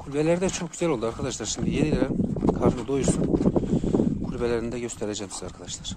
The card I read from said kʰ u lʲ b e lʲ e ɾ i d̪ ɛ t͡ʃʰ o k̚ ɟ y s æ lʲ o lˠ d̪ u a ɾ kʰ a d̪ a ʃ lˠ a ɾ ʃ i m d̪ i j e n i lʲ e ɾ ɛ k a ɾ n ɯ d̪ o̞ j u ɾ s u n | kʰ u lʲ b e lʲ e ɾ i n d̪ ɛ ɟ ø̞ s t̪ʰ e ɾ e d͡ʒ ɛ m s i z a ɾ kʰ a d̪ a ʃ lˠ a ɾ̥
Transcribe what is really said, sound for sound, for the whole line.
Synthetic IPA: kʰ u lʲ b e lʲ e ɾ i d̪ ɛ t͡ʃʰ o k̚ ɟ y z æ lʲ o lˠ d̪ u a ɾ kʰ a d̪ a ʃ lˠ a ɾ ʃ i m d̪ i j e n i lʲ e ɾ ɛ kʰ a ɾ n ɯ d̪ o̞ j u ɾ s u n | kʰ u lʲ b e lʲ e ɾ i n d̪ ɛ ɟ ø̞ s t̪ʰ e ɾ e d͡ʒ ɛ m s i z a ɾ kʰ a d̪ a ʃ lˠ a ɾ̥